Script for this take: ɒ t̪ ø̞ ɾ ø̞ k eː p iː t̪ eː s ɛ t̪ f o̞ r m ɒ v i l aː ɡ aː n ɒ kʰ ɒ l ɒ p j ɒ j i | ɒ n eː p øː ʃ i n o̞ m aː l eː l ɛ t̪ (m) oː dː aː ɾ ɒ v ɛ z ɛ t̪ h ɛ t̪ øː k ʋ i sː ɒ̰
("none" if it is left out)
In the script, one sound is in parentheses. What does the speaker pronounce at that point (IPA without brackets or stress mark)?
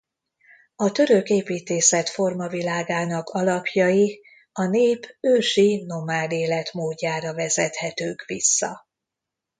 m